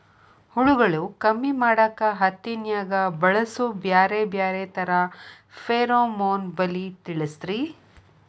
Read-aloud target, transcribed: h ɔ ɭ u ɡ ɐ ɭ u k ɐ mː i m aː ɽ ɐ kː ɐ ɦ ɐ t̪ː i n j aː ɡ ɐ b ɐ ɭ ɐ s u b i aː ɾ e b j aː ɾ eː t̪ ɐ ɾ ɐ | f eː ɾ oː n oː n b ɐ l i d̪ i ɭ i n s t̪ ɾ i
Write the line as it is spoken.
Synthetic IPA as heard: h u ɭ u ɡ ɐ ɭ u k ɐ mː i m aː ɽ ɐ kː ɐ ɦ ɐ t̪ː i n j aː ɡ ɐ b ɐ ɭ ɐ s u b j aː ɾ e b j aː ɾ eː t̪ ɐ ɾ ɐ | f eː ɾ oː m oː n b ɐ l i t̪ i ɭ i s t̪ ɾ i